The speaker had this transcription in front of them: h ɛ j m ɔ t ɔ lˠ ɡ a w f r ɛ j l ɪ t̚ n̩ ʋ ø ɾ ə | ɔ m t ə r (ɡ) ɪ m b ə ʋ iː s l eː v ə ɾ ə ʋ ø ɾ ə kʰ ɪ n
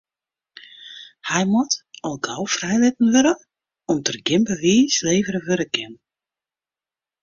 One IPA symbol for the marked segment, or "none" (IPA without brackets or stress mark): ɡ